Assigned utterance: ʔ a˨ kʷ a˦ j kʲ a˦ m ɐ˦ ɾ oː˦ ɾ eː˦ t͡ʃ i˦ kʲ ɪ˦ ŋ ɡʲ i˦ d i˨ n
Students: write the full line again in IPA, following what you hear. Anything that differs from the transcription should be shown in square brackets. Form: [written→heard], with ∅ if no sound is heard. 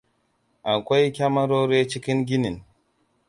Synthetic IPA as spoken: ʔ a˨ kʷ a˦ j kʲ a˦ m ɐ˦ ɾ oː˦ ɾ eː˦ t͡ʃ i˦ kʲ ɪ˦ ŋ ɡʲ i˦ [d→n] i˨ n

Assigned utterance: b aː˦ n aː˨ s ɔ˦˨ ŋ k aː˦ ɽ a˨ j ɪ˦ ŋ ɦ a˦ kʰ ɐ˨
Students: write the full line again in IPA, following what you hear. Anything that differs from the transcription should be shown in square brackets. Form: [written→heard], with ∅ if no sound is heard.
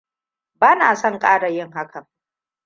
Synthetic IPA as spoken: b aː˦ n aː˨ s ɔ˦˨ ŋ [k→kʼ] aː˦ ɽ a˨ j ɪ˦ ŋ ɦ a˦ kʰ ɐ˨

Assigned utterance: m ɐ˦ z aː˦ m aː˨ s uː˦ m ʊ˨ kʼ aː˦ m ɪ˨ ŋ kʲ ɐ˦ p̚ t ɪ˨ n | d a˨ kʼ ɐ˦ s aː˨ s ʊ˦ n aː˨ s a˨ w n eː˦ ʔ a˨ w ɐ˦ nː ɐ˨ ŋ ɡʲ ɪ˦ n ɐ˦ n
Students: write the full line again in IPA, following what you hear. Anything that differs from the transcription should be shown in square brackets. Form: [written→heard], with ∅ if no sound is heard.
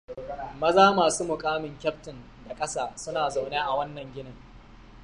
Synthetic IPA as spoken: m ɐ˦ z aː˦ m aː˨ s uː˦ m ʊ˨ kʼ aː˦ m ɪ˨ ŋ kʲ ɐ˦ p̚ t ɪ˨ n | d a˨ kʼ ɐ˦ s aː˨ s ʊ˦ n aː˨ [s→z] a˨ w n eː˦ ʔ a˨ w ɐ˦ nː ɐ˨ ŋ ɡʲ ɪ˦ n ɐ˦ [n→ŋ]

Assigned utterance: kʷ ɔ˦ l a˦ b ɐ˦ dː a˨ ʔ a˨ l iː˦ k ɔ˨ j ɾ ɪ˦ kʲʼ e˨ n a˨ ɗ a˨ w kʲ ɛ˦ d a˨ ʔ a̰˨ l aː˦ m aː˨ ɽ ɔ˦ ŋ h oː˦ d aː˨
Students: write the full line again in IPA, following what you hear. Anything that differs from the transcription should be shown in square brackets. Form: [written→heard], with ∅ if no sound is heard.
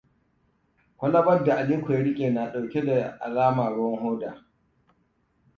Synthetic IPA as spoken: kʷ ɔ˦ l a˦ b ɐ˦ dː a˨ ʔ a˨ l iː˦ k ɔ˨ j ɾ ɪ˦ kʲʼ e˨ n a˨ ɗ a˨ w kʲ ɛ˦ d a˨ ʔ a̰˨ l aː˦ m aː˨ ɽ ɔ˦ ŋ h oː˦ d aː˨

